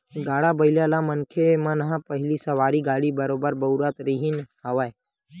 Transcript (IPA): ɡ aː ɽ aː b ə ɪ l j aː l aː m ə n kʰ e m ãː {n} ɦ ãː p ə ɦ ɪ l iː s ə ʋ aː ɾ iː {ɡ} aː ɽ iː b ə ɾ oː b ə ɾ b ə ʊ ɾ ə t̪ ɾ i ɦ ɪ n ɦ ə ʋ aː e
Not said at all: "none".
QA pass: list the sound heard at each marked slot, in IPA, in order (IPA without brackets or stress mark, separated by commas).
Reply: n, ɡ